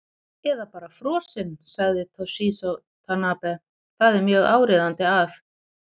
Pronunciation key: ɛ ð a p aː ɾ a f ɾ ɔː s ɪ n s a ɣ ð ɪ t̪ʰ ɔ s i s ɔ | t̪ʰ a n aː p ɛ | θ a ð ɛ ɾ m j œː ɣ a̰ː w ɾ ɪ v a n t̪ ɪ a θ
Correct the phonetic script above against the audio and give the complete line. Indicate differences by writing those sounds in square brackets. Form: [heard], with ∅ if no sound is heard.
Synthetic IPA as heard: ɛ ð a p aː ɾ a f ɾ ɔː s ɪ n s a ɣ ð ɪ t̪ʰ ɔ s i s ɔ | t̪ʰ a n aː p ɛ | θ a ð ɛ ɾ m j œː ɣ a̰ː w ɾ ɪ [ð] a n t̪ ɪ a θ